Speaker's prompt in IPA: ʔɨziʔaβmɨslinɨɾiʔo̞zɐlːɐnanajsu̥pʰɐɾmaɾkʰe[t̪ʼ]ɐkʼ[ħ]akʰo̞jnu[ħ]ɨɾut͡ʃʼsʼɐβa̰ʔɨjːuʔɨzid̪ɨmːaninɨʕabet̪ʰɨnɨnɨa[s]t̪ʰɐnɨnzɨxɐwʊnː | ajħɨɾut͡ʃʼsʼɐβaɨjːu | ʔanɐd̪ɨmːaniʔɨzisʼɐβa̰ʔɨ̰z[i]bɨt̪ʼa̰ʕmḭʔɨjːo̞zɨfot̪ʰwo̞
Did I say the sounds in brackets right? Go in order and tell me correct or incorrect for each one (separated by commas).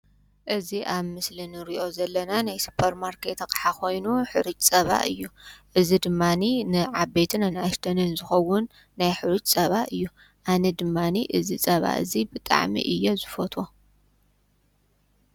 incorrect, correct, correct, incorrect, correct